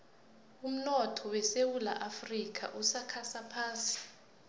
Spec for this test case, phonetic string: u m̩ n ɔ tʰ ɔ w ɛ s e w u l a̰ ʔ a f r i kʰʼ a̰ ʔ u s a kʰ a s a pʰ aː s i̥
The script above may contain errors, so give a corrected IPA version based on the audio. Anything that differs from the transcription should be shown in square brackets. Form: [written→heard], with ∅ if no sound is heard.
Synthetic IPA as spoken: u m̩ n ɔ tʰ ɔ w ɛ s e w u l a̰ ʔ a f r i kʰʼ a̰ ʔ u s a kʰ a s a pʰ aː s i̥

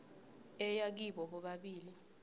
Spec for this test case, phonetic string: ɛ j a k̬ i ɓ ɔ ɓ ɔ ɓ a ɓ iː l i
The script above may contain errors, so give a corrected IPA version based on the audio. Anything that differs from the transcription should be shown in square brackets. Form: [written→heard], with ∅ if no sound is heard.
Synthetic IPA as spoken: ɛ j a k̬ i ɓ ɔ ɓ ɔ ɓ a ɓ iː l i

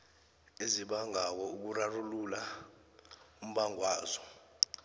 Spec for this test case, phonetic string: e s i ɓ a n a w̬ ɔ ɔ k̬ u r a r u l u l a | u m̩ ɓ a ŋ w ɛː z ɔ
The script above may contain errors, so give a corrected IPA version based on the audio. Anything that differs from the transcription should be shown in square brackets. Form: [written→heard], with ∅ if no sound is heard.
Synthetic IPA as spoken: e [s→z] i ɓ a [n→ŋ] a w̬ ɔ [ɔ→u] k̬ u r a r u l u l a | u m̩ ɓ a ŋ w [ɛː→aː] z ɔ

